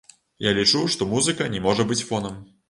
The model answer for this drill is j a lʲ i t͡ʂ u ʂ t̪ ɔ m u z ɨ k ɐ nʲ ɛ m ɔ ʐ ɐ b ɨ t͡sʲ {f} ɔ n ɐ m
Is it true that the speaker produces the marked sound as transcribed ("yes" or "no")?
yes